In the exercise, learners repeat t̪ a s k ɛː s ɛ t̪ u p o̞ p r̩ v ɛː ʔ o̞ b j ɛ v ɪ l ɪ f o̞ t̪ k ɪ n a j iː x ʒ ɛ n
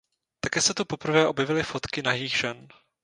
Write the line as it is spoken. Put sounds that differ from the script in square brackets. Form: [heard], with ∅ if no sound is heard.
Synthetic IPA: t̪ a [∅] k ɛː s ɛ t̪ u p o̞ p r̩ v ɛː ʔ o̞ b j ɛ v ɪ l ɪ f o̞ t̪ k ɪ n a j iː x ʒ ɛ n